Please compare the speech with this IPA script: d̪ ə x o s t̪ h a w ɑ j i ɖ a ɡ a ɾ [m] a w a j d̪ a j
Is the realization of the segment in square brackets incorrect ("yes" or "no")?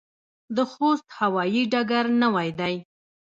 yes